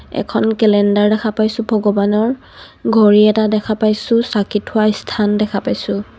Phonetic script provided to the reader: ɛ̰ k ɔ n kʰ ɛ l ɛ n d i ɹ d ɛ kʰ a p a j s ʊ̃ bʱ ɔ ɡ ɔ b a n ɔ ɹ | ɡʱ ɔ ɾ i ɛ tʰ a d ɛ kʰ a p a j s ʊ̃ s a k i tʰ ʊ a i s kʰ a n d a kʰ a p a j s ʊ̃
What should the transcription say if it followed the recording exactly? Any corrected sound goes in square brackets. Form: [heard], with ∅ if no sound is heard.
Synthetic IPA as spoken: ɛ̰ [kʰ] ɔ n [k] ɛ l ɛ n d [a] ɹ d ɛ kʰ a p a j s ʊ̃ bʱ ɔ ɡ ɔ b a n ɔ ɹ | ɡʱ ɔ [ɹ] i ɛ [t] a d ɛ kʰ a p a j s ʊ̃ s a k i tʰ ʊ a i s [tʰ] a n d [ɛ] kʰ a p a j s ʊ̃